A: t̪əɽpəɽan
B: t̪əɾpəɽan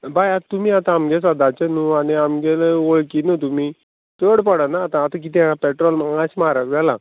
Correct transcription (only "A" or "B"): A